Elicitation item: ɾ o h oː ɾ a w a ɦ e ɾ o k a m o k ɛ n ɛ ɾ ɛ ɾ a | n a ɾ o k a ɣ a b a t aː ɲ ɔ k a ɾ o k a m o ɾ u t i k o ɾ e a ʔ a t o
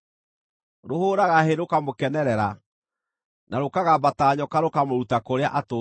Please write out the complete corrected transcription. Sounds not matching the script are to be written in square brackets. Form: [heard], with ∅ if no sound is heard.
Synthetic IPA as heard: ɾ o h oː ɾ a [ɣ] a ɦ e ɾ o k a m o k ɛ n ɛ ɾ ɛ ɾ a | n a ɾ o k a ɣ a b a t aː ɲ ɔ k a ɾ o k a m o ɾ u t [a] k o ɾ e a ʔ a t o